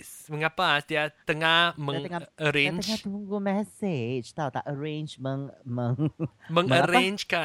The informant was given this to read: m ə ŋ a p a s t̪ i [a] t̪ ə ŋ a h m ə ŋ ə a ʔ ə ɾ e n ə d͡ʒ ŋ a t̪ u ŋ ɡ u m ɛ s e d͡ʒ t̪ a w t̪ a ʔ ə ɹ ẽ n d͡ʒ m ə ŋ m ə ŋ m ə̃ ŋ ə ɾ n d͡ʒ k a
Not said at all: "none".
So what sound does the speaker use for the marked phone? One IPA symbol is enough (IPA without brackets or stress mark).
a